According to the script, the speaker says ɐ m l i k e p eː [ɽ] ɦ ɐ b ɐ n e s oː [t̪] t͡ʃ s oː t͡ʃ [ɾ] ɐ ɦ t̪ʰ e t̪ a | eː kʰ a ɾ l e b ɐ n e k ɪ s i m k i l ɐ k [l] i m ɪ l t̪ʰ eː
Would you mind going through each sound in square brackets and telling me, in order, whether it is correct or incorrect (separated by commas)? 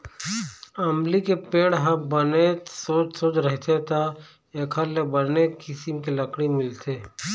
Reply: correct, incorrect, correct, incorrect